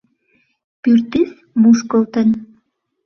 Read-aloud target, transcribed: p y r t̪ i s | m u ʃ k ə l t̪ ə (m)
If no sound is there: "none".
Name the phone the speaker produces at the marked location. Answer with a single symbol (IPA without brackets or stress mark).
n